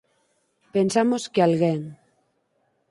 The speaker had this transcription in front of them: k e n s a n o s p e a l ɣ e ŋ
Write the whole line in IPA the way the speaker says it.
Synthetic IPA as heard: p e n s a m o s k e a l ɣ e ŋ

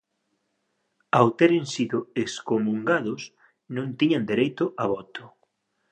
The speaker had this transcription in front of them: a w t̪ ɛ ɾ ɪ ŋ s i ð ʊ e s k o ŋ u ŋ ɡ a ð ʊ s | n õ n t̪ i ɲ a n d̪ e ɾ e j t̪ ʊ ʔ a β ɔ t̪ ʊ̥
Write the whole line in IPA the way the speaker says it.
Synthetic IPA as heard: a w t̪ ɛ ɾ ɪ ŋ s i ð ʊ e s k o m u ŋ ɡ a ð ʊ s | n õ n t̪ i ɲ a n d̪ e ɾ e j t̪ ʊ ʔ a β ɔ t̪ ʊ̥

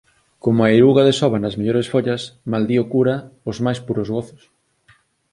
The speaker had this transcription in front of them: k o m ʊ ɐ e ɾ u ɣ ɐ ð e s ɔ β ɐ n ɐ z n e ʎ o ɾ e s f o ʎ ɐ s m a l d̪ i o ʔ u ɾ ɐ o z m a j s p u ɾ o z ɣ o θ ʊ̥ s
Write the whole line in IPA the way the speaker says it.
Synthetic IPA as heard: k o m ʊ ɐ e ɾ u ɣ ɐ ð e s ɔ β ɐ n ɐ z m e ʎ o ɾ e s f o ʎ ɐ s m a l d̪ i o k u ɾ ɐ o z m a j s p u ɾ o z ɣ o θ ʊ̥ s

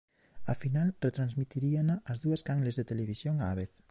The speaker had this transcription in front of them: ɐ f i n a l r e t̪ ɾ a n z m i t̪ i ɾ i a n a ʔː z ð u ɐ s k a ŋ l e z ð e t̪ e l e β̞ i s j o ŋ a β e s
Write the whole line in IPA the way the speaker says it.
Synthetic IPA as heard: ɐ f i n a l r e t̪ ɾ a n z m i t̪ i ɾ i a n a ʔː z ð u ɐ s k a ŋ l e z ð e t̪ e l e β̞ i s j o ŋ a β e θ

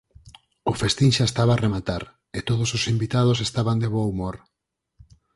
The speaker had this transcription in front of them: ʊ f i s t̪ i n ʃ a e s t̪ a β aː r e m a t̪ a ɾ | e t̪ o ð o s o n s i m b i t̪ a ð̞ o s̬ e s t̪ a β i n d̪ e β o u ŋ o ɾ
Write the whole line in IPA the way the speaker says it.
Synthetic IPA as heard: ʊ f e s t̪ i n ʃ a e s t̪ a β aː r e m a t̪ a ɾ | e t̪ o ð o s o s i m b i t̪ a ð̞ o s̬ e s t̪ a β a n d̪ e β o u m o ɾ

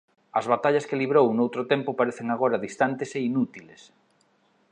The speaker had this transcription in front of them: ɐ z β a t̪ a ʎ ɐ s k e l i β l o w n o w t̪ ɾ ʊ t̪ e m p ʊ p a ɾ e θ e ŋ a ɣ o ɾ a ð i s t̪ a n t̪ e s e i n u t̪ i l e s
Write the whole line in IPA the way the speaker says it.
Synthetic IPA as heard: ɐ z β a t̪ a ʎ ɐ s k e l i β ɾ o w n o w t̪ ɾ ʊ t̪ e m p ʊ p a ɾ e θ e ŋ a ɣ o ɾ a ð i s t̪ a n t̪ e s e i n u t̪ i l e s

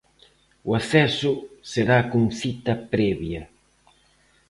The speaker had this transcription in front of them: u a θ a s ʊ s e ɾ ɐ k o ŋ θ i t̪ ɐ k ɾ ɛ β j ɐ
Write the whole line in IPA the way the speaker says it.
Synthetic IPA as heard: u a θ ɛ s ʊ s e ɾ a k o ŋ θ i t̪ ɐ p ɾ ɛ β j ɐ

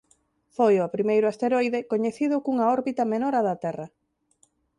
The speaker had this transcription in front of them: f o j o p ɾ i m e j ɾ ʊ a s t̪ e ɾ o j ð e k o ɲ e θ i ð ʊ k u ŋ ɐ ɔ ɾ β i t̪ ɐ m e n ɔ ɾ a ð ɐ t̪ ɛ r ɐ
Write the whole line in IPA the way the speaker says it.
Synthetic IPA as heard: f o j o p ɾ i m e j ɾ ʊ a s t̪ e ɾ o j ð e k o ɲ e θ i ð ʊ k u ŋ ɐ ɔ ɾ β i t̪ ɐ m e n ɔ ɾ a ð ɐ t̪ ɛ r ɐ

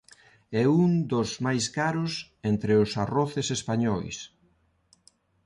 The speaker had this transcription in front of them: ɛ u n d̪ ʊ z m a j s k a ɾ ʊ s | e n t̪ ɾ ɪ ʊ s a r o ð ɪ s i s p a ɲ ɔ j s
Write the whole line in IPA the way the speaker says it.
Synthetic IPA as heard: ɛ u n d̪ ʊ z m a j s k a ɾ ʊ s | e n t̪ ɾ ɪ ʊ s a r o θ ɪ s e s p a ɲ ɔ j s

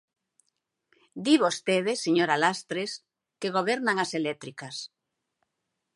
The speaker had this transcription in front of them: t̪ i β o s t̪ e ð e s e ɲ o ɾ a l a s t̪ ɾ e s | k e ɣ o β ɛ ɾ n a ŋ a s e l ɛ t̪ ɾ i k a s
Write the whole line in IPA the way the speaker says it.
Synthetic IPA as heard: d̪ i β o s t̪ e ð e s e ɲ o ɾ a l a s t̪ ɾ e s | k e ɣ o β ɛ ɾ n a ŋ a s e l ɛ t̪ ɾ i k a s

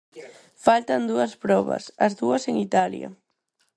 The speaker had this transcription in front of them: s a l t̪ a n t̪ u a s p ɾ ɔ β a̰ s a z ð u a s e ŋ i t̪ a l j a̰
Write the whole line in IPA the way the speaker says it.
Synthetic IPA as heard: f a l t̪ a n d̪ u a s p ɾ ɔ β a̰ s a z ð u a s e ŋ i t̪ a l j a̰

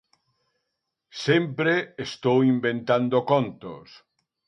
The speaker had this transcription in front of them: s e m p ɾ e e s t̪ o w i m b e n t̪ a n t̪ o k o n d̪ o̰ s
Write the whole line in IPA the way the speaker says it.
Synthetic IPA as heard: s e m p ɾ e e s t̪ o w i m b e n t̪ a n d̪ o k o n t̪ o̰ s

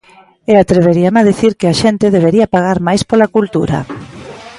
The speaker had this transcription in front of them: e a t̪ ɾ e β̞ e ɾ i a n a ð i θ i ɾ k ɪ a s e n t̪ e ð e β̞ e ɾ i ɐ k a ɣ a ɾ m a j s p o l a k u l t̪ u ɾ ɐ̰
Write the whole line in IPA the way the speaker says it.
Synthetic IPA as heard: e a t̪ ɾ e β̞ e ɾ i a m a ð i θ i ɾ k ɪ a ʃ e n t̪ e ð e β̞ e ɾ i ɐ p a ɣ a ɾ m a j s p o l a k u l t̪ u ɾ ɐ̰

